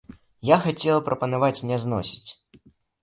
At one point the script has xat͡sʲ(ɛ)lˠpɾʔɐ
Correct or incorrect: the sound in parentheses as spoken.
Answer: correct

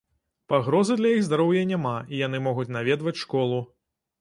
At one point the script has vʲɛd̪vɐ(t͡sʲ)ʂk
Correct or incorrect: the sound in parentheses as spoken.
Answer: correct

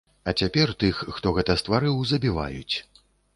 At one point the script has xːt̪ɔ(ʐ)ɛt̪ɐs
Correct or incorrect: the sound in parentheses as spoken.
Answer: incorrect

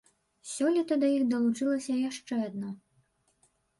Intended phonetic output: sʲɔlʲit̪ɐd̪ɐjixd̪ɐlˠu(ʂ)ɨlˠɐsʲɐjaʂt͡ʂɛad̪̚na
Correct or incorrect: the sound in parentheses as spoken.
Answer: incorrect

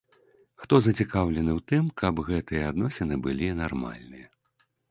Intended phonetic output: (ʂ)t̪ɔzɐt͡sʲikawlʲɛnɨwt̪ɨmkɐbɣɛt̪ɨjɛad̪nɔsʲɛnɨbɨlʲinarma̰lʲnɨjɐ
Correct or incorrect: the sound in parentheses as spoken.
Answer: incorrect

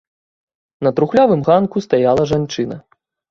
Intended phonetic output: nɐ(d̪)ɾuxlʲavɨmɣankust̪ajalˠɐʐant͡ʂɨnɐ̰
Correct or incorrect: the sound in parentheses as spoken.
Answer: incorrect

